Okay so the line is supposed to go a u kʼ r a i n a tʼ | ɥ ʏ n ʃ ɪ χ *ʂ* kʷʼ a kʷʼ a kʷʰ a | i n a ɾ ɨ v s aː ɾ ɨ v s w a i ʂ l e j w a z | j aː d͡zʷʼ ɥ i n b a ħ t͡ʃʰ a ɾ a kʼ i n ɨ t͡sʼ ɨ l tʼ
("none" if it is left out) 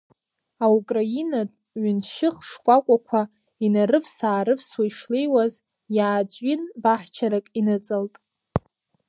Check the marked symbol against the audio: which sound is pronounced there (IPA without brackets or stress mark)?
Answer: ʂ